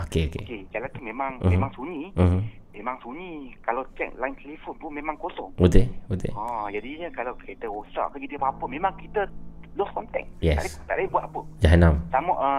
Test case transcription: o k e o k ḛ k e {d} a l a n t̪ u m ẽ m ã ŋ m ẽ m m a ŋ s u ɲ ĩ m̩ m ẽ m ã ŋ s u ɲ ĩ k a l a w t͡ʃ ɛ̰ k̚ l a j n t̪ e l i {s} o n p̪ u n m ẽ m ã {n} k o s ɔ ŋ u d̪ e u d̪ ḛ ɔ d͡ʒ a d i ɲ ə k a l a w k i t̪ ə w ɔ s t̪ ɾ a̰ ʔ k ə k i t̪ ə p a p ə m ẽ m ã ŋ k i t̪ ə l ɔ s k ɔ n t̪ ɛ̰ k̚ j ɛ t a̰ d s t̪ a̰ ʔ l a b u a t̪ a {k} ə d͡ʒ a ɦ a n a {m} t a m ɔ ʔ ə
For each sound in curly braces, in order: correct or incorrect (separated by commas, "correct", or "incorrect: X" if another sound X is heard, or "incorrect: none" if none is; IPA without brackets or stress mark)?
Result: incorrect: d͡ʒ, incorrect: f, incorrect: ŋ, incorrect: p, correct